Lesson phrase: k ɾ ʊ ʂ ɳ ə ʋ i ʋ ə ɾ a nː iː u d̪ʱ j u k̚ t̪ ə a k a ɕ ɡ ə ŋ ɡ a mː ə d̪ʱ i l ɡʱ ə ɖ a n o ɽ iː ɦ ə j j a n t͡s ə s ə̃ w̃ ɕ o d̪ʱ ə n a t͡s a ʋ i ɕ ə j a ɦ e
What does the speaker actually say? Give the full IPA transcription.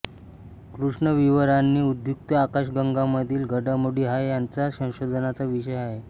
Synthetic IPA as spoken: k ɾ u ʂ ɳ ə ʋ i ʋ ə ɾ a nː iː u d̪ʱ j u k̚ t̪ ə a k a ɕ ɡ ə ŋ ɡ a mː ə d̪ʱ iː l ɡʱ ə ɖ a m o ɽ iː ɦ a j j a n t͡s a s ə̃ w̃ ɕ o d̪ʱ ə n a t͡s a ʋ i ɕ ə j a ɦ e